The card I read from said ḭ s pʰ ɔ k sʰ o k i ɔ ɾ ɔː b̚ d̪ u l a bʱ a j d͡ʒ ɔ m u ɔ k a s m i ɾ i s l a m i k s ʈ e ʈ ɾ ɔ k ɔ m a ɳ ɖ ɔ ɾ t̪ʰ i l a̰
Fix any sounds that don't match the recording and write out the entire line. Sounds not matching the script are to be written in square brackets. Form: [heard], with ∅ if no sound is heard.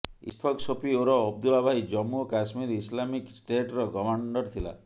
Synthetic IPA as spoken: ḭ s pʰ ɔ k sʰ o [p] i [o] ɾ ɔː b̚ d̪ u l a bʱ a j d͡ʒ ɔ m u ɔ k a s m i ɾ i s l a m i k s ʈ e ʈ ɾ ɔ k ɔ m a ɳ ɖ ɔ ɾ t̪ʰ i l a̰